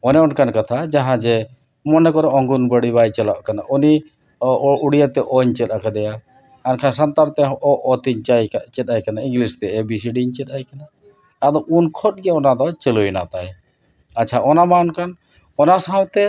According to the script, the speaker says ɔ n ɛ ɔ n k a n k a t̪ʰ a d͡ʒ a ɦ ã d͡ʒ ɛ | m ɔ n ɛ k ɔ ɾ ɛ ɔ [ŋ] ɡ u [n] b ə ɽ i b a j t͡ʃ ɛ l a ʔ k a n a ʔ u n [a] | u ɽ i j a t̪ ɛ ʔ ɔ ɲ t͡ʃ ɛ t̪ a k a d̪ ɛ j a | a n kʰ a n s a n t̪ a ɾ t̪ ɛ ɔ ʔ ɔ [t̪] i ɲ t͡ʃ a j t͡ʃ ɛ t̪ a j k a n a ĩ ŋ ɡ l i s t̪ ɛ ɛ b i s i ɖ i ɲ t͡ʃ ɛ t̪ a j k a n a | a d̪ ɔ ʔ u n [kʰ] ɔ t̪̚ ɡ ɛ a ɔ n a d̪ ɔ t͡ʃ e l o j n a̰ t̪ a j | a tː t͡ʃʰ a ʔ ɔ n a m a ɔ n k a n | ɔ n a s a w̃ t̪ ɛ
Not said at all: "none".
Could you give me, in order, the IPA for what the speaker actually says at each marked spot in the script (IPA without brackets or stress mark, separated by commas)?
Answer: ŋ, n, i, t̪, kʰ